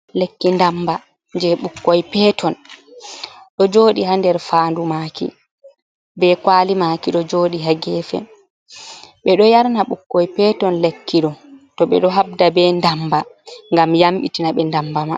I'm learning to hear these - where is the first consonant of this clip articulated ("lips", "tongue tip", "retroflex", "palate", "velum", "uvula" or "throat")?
tongue tip